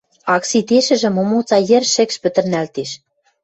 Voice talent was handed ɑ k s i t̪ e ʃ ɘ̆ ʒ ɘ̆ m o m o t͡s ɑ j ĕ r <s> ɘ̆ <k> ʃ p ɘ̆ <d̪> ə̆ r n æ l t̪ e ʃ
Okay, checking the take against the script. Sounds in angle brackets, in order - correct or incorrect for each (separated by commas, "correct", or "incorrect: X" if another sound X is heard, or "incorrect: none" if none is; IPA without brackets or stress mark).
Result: incorrect: ʃ, correct, incorrect: t̪